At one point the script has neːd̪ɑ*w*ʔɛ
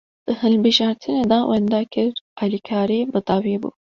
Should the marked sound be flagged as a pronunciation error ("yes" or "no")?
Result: no